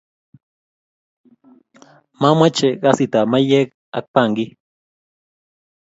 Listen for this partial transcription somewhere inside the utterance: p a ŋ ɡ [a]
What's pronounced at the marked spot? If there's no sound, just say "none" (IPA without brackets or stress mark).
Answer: i